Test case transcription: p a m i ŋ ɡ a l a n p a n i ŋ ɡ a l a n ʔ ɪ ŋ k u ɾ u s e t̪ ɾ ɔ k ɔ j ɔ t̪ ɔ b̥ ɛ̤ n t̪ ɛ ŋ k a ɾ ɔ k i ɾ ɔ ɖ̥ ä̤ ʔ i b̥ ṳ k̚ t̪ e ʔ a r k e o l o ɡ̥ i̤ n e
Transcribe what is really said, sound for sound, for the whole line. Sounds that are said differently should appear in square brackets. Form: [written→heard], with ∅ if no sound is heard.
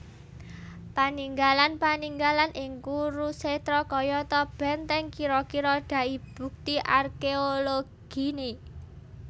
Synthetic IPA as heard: p a [m→n] i ŋ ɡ a l a n p a n i ŋ ɡ a l a n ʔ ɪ ŋ k u ɾ u s e t̪ ɾ ɔ k ɔ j ɔ t̪ ɔ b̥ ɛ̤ n t̪ ɛ ŋ k [a→i] ɾ ɔ k i ɾ ɔ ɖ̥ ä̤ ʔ i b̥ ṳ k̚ t̪ [e→i] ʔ a r k e o l o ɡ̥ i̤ n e